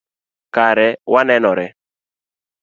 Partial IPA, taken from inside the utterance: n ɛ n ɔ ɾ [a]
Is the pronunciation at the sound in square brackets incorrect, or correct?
incorrect